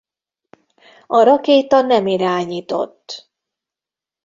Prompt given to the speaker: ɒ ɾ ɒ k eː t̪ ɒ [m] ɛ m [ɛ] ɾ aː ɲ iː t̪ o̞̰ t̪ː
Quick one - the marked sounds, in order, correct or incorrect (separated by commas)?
incorrect, incorrect